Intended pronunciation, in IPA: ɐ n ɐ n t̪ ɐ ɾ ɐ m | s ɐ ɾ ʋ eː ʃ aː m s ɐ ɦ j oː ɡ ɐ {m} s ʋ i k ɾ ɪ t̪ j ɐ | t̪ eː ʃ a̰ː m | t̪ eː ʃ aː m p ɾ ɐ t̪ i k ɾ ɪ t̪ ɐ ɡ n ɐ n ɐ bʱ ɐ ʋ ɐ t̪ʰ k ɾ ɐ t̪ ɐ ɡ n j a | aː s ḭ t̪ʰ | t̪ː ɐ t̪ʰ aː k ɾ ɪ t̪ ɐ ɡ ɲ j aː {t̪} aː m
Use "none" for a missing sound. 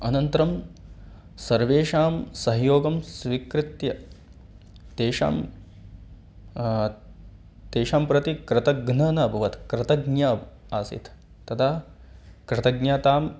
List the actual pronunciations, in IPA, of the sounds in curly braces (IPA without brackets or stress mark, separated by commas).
m, t̪